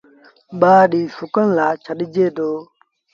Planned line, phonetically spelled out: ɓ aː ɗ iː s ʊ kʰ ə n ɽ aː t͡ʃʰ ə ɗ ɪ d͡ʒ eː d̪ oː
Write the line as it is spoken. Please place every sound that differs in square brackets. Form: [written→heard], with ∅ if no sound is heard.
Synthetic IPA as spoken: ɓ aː ɗ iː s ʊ [kʰ→k] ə n [ɽ→l] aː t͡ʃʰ ə ɗ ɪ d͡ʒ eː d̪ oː